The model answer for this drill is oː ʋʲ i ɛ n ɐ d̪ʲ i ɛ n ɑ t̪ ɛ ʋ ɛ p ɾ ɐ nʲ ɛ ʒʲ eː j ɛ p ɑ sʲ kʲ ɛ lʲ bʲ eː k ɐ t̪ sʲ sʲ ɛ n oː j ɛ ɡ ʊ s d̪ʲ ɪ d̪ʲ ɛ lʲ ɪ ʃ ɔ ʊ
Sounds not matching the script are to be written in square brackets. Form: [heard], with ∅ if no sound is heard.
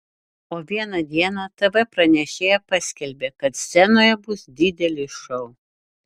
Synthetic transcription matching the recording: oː ʋʲ i ɛ n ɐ d̪ʲ i ɛ n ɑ t̪ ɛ ʋ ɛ p ɾ ɐ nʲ ɛ [ʃʲ] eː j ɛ p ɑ sʲ kʲ ɛ lʲ bʲ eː k ɐ t̪ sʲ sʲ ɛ n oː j ɛ [b] ʊ s d̪ʲ ɪ d̪ʲ ɛ lʲ ɪ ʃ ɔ ʊ